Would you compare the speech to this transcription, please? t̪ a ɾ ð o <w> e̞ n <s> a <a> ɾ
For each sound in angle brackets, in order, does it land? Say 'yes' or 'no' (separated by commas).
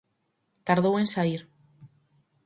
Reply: yes, yes, no